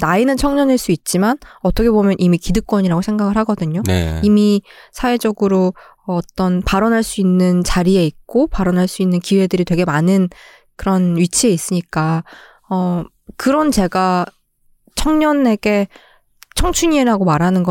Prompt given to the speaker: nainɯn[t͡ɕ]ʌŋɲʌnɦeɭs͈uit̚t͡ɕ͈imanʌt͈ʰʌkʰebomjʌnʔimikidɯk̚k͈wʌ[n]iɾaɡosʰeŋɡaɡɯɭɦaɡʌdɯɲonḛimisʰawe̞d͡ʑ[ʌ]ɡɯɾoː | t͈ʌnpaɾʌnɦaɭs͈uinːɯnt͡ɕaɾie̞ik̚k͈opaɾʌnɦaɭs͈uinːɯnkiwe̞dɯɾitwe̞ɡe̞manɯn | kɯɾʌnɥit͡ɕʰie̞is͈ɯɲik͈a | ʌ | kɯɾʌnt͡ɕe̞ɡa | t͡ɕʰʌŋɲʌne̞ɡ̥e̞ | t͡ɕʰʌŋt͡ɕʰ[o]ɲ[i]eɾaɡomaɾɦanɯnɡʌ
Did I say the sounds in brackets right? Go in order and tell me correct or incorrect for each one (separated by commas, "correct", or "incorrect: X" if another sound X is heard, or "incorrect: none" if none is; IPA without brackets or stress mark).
incorrect: t͡ɕʰ, incorrect: ɲ, correct, incorrect: u, correct